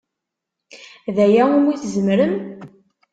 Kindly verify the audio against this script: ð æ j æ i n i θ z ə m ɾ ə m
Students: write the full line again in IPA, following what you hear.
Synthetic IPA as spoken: ð æ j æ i m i θ z ə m ɾ ə m